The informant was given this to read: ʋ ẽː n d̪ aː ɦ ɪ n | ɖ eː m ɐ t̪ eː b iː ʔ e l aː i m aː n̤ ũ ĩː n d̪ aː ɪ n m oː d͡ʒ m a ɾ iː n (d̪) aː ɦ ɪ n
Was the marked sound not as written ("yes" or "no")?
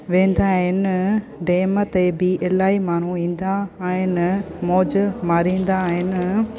no